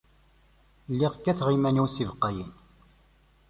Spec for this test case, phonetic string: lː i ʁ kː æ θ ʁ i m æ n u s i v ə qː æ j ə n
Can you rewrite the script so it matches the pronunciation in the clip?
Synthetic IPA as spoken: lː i ʁ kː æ θ ʁ i m æ n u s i v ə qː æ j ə n